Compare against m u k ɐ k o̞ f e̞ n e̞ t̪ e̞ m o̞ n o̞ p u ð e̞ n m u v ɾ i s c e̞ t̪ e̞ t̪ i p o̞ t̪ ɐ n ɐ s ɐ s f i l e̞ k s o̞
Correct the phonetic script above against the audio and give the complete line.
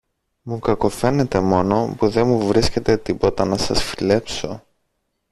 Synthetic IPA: m u k ɐ k o̞ f e̞ n e̞ t̪ e̞ m o̞ n o̞ p u ð e̞ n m u v ɾ i s c e̞ t̪ e̞ t̪ i p o̞ t̪ ɐ n ɐ s ɐ s f i l e̞ p s o̞